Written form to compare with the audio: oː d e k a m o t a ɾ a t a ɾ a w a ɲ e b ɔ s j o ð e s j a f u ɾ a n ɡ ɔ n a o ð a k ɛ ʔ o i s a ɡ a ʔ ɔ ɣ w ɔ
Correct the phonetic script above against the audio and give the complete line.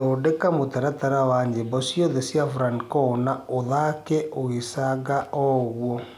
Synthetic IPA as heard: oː d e k a m o t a ɾ a t a ɾ a w a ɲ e b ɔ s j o ð e s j a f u ɾ a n k ɔ n a o ð a k ɛ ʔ o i s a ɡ a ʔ ɔ ɣ w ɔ